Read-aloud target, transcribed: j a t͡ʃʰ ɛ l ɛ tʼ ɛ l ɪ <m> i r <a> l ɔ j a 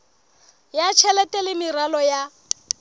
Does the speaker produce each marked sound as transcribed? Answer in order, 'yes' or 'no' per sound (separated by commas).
yes, yes